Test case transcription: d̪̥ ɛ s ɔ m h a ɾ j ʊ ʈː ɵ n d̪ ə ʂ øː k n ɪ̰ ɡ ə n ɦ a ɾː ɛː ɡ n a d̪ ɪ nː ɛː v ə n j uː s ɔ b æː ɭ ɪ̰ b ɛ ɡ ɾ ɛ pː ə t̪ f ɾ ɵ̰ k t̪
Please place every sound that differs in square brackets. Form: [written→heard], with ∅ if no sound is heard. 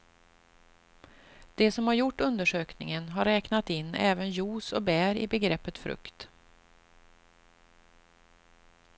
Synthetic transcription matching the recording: d̪̥ ɛ s ɔ m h a ɾ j ʊ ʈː ɵ n d̪ ə ʂ øː k n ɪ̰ [ɡ→ŋ] ə n ɦ a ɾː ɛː [ɡ→k] n a [d̪→t̪] ɪ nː ɛː v ə n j uː s ɔ b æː [ɭ→ɾ] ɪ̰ b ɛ ɡ ɾ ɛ pː ə t̪ f ɾ ɵ̰ k t̪